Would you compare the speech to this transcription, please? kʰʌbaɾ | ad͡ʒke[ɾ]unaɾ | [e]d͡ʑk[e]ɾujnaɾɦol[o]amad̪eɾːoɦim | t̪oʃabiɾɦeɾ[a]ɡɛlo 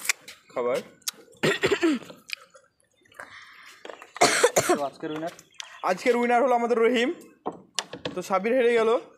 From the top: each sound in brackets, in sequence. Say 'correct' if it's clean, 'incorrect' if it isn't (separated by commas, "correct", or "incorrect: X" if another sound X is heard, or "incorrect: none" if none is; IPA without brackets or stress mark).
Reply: correct, incorrect: a, correct, correct, incorrect: e